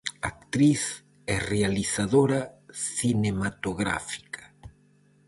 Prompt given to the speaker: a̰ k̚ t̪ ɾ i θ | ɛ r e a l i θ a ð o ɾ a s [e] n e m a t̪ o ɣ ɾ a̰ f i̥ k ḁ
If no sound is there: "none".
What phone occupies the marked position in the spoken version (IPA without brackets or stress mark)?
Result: i